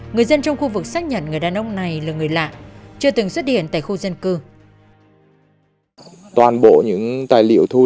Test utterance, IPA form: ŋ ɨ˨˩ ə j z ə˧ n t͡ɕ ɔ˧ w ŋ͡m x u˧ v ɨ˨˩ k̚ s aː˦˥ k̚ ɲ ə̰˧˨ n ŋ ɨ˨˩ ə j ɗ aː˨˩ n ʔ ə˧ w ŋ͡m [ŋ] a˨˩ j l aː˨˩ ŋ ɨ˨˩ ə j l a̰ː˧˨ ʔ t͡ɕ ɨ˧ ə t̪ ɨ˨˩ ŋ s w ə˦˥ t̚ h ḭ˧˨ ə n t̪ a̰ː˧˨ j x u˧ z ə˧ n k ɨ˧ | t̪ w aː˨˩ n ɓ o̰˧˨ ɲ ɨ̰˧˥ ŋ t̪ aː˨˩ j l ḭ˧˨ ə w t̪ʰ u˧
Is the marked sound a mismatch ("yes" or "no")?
yes